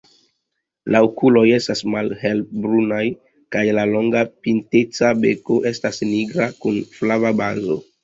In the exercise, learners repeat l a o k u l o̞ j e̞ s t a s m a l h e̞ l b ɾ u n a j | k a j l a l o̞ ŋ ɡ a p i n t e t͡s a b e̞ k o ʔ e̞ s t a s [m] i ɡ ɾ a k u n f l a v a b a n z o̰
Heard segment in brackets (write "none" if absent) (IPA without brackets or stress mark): n